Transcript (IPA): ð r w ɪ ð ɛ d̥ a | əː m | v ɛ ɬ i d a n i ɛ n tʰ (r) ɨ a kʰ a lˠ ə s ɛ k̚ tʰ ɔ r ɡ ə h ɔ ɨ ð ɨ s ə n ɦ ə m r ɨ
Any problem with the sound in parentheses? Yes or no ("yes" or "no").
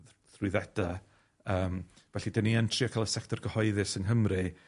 no